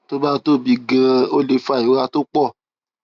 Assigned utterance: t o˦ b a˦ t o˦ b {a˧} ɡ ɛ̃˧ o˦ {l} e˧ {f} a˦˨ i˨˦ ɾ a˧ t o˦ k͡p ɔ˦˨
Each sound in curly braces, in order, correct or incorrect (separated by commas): incorrect, correct, correct